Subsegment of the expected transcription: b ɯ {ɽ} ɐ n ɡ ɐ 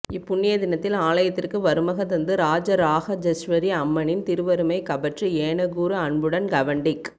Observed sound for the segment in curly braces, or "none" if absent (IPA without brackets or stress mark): ɽ